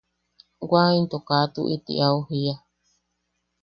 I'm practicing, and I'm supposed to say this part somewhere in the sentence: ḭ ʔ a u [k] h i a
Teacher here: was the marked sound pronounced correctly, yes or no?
no